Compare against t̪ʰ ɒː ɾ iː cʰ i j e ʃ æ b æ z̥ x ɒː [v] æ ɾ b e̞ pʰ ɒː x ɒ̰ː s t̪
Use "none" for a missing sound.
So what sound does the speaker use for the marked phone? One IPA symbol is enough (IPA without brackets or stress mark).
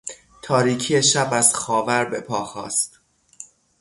v